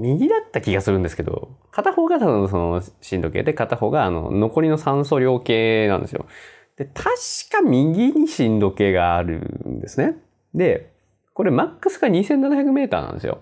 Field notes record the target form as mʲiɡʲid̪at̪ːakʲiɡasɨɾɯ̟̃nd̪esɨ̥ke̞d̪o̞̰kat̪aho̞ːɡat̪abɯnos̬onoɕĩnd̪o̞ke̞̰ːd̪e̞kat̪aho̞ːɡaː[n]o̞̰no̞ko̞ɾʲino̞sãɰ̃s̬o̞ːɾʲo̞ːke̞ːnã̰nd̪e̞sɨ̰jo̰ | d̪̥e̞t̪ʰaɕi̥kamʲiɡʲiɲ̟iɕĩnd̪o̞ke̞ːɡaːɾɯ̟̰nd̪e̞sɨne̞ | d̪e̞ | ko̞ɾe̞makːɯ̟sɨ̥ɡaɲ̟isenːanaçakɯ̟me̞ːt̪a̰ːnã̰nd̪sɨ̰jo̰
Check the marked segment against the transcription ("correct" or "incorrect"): correct